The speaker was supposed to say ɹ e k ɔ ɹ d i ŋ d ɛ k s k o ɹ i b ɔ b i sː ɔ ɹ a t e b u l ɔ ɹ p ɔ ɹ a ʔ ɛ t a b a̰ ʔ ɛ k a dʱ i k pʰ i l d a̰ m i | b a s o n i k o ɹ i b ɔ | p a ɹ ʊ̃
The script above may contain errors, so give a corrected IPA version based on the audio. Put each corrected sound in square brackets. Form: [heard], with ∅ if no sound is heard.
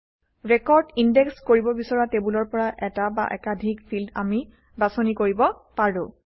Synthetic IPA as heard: ɹ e k ɔ ɹ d i [n] d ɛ k s k o ɹ i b ɔ b i [s] ɔ ɹ a t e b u l ɔ ɹ p ɔ ɹ a ʔ ɛ t a b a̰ ʔ ɛ k a dʱ i k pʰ i l d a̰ m i | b a s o n i k o ɹ i b ɔ | p a ɹ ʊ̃